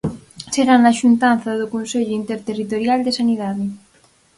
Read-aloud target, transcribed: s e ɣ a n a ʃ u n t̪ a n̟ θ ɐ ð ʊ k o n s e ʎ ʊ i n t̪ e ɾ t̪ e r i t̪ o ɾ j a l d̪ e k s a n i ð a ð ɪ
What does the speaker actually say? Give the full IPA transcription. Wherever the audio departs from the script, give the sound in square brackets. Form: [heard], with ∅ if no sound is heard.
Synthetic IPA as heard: s e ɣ a n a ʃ u n t̪ a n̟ θ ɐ ð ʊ k o n s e ʎ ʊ i n t̪ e ɾ t̪ e r i t̪ o ɾ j a l d̪ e [∅] s a n i ð a ð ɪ